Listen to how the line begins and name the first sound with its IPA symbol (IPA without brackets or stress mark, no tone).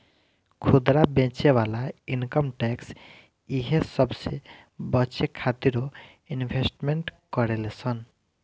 kʰ